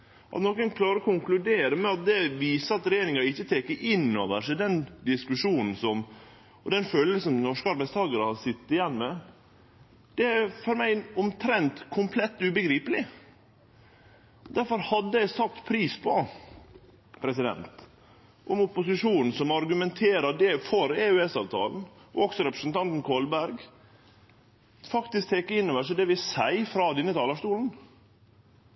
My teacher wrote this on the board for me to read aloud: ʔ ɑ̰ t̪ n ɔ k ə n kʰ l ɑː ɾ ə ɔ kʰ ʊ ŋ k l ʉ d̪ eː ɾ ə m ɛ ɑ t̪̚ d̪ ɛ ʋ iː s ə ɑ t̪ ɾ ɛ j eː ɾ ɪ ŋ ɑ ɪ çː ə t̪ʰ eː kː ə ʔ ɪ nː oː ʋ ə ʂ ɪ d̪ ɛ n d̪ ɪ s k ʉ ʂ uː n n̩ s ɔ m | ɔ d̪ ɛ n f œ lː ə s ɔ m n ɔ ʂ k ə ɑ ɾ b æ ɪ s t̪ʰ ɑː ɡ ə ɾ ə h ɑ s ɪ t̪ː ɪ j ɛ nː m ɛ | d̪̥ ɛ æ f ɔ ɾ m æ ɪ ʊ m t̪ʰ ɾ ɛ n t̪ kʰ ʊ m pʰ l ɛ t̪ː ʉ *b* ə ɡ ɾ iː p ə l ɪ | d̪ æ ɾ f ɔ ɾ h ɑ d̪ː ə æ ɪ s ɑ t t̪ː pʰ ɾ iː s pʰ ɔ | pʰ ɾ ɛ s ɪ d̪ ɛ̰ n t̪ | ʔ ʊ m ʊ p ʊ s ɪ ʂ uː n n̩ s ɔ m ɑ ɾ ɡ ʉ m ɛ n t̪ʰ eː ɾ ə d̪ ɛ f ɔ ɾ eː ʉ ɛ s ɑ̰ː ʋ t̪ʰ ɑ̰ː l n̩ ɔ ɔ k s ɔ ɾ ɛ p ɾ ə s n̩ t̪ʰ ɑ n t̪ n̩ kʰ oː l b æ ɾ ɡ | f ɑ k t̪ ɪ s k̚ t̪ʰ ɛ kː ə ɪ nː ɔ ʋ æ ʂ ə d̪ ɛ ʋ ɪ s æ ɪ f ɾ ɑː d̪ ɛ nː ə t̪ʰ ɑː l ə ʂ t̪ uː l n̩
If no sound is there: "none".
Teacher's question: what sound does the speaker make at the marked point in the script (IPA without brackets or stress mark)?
b